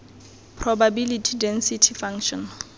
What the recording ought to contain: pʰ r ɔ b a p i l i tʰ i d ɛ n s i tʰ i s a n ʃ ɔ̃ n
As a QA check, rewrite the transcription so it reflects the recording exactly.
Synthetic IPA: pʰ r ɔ b a b i l i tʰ i d ɛ n s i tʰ i f a ŋ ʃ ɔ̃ n

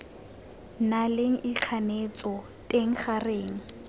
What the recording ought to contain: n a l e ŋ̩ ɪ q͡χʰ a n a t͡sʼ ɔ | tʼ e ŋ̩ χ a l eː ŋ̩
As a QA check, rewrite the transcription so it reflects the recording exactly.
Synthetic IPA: n a l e ŋ̩ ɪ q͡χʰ a n e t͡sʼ ɔ | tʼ e ŋ̩ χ a r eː ŋ̩

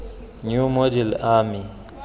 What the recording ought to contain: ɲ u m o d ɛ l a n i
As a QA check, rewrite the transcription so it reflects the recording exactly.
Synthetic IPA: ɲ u m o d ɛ l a m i

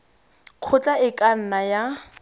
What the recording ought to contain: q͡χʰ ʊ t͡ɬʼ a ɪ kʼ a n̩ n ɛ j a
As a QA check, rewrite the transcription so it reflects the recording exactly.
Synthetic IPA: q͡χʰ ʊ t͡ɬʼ a ɪ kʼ a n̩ n a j a

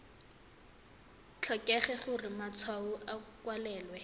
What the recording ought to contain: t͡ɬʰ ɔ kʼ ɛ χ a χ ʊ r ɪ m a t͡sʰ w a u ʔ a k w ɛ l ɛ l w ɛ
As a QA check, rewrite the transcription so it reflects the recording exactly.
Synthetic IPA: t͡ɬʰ ɔ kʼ ɛ χ ɛ χ ʊ r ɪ m a t͡sʰ w a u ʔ a k w a l ɛː l w ɛ

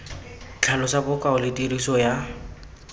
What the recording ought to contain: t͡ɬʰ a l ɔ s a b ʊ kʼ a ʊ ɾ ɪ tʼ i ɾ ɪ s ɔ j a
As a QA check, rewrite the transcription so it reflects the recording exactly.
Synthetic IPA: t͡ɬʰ a l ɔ s a b ʊ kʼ a ʊ l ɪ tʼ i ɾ i s ɔ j a

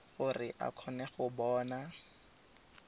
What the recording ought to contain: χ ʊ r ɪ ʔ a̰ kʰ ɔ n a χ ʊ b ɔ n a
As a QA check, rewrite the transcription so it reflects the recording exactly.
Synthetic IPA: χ ʊ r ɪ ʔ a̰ kʰ ɔ n ɛ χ ʊ b ɔː n a

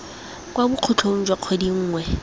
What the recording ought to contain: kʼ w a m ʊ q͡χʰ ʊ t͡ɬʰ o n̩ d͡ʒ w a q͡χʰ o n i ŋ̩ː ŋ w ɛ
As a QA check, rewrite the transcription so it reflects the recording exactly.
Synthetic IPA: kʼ w a b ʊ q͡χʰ ʊ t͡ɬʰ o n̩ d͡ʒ w a q͡χʰ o d i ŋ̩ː ŋ w ɛ

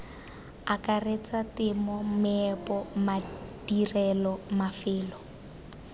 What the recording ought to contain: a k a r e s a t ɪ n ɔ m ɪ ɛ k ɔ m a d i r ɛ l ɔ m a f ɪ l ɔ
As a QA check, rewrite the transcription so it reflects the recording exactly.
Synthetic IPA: a k a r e t͡s a t ɪ m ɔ m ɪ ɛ p ɔ m a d i r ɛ l ɔ m a f ɪː l ɔ

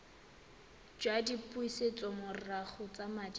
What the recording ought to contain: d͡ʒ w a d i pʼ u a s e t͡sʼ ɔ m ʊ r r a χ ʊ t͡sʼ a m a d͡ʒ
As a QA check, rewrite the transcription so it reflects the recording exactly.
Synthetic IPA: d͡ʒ w a d i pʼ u i s e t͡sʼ ɔ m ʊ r r a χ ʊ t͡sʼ a m a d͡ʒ

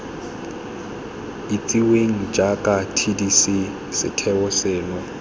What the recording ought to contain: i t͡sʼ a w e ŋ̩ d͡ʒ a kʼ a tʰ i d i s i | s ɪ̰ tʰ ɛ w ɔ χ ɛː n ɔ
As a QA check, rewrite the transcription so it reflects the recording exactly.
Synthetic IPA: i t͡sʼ i w e ŋ̩ d͡ʒ a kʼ a tʰ i d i s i | s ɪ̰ tʰ ɛ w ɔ s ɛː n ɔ

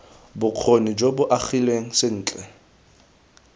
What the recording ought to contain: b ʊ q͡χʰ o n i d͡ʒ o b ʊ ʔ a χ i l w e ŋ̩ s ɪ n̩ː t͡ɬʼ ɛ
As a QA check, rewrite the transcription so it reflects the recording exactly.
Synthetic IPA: b ʊ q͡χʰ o n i d͡ʒ o b ʊ ʔ a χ i l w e ŋ̩ s ɪ n̩ː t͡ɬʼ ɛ

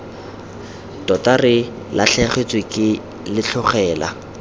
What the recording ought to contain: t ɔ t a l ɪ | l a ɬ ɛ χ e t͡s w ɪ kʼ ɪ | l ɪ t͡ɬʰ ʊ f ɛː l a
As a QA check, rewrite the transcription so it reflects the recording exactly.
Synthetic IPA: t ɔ t a r ɪ | l a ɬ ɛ χ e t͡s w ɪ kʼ ɪ | l ɪ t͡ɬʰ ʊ χ ɛː l a

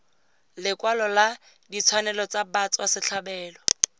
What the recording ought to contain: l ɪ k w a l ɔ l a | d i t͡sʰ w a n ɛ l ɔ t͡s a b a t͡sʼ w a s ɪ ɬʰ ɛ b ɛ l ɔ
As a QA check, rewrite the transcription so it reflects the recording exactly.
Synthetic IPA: l ɪ k w a l ɔ l a | d i t͡sʰ w a n ɛ l ɔ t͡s a b a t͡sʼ w a s ɪ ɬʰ a b ɛː l ɔ

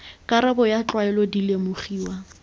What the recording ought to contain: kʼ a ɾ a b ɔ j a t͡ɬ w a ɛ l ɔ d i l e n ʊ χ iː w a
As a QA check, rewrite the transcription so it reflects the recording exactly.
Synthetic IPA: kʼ a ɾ a b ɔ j a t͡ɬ w a ɛ l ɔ d i l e m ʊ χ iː w a

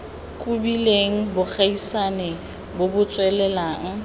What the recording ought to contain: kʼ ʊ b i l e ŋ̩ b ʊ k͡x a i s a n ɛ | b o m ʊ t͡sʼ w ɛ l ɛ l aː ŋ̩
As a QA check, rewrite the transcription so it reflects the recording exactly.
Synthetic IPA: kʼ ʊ b i l e ŋ̩ b ʊ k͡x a i s a n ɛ | b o b ʊ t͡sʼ w ɛ l ɛ l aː ŋ̩

